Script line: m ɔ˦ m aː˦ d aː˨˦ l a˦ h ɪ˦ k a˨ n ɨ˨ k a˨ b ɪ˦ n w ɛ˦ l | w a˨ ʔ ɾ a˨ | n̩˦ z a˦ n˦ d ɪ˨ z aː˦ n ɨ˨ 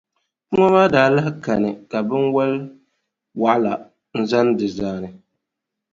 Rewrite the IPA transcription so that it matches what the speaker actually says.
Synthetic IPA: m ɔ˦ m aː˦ d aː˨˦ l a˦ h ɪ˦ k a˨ n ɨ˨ k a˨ b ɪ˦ n w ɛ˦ l | w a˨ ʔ l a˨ | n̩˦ z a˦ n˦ d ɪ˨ z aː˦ n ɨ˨